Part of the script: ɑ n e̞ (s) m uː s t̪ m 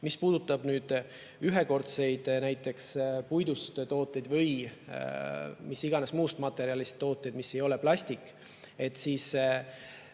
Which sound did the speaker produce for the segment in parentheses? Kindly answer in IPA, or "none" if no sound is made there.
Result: s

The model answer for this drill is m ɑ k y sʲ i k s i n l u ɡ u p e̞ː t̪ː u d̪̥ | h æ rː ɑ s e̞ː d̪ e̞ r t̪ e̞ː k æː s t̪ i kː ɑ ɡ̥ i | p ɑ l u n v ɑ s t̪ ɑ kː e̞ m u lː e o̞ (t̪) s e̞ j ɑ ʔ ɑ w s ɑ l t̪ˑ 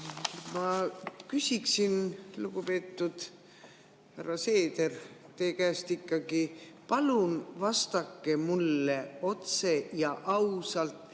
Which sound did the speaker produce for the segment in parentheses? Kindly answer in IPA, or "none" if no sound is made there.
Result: t̪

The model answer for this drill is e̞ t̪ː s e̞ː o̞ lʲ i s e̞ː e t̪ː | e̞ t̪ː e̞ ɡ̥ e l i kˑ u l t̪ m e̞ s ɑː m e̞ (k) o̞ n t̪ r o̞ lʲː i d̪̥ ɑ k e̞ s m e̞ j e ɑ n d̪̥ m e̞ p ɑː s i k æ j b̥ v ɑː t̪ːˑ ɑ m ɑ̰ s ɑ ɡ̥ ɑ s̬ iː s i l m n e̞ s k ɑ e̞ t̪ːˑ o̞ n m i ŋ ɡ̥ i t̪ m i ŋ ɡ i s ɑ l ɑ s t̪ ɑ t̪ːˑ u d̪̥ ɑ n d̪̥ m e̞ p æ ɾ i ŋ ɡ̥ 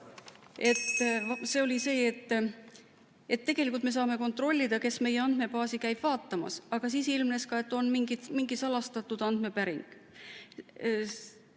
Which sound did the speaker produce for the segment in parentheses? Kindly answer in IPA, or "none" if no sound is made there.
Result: k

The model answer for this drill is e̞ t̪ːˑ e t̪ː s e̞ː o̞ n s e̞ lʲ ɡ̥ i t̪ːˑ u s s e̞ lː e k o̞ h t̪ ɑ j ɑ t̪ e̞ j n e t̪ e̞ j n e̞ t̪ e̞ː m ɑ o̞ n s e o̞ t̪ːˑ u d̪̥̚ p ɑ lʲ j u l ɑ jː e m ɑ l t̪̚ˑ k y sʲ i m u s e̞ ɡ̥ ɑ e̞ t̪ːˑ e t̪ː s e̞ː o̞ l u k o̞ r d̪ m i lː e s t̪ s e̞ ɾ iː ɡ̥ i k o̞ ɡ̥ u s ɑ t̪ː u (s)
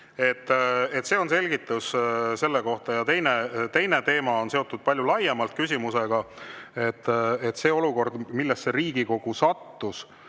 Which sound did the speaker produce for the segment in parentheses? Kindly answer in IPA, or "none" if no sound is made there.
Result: s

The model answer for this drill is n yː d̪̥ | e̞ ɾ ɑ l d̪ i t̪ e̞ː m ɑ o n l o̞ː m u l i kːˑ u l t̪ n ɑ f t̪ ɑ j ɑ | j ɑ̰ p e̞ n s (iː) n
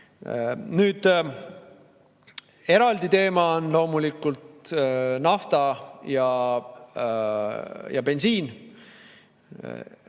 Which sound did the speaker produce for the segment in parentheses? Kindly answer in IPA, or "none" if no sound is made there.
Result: iː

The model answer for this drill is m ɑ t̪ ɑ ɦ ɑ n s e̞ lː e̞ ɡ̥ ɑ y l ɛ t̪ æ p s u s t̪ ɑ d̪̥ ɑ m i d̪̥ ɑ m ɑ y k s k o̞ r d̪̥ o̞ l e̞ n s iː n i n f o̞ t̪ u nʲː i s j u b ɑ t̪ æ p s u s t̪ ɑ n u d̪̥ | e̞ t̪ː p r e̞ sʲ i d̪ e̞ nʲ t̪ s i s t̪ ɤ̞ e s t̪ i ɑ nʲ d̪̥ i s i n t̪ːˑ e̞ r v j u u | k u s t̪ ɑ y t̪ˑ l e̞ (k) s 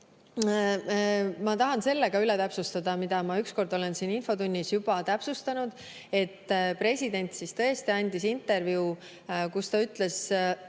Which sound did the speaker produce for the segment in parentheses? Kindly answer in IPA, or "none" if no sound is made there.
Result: none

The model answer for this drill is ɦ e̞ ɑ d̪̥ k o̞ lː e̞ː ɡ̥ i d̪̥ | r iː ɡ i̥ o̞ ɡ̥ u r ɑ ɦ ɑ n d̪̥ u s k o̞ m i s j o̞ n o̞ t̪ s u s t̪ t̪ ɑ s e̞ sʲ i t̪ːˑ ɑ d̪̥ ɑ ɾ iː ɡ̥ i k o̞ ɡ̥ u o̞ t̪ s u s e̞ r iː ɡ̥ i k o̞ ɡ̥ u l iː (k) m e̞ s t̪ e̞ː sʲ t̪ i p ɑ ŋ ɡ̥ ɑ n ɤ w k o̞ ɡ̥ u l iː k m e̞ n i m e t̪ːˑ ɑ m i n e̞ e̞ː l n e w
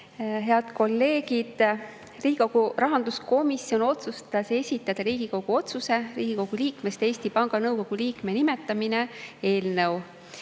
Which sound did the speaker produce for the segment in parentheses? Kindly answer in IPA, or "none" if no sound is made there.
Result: k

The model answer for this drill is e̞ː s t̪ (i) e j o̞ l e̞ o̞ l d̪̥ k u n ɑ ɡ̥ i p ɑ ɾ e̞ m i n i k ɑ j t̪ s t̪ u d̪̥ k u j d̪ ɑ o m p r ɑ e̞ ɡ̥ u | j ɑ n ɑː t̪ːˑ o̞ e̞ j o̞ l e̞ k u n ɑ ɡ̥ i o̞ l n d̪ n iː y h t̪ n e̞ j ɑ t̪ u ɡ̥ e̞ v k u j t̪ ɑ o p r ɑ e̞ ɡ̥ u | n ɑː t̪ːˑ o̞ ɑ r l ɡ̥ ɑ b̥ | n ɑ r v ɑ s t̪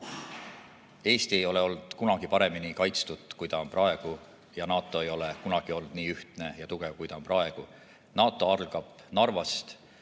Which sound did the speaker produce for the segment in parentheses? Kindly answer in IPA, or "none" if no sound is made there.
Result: i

